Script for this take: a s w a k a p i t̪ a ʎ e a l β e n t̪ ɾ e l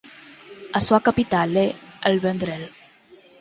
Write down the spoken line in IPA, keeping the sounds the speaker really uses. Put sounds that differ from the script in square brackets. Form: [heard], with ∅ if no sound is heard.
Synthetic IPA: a s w a k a p i t̪ a [l] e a l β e n [d̪] ɾ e l